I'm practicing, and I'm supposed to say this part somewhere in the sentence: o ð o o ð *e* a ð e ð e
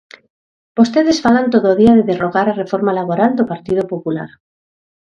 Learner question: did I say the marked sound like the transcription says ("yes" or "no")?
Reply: no